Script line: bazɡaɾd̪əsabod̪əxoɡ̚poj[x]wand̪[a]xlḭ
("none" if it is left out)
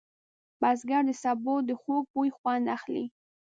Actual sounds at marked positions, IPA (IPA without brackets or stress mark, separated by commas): x, a